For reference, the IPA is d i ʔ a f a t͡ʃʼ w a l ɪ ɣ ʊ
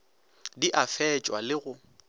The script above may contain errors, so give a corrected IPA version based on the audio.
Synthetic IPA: d i ʔ a f ɛ t͡ʃʼ w a l ɪ ɣ ʊ